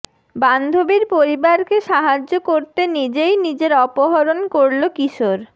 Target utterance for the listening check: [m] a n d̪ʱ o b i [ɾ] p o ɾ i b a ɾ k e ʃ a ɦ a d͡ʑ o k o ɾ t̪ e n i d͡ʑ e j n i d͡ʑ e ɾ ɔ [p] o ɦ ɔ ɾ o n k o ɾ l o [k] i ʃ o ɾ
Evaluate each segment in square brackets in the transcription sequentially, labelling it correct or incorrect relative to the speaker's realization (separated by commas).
incorrect, correct, correct, correct